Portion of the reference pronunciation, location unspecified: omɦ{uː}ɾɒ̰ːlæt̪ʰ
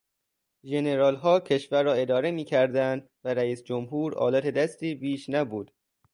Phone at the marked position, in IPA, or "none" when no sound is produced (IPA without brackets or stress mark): uː